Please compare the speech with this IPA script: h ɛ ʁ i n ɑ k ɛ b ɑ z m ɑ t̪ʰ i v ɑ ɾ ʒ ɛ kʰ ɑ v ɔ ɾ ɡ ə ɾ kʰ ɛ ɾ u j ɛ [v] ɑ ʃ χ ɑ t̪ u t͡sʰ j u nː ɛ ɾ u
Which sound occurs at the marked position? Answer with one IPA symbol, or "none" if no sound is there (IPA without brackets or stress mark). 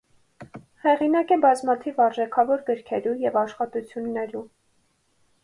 v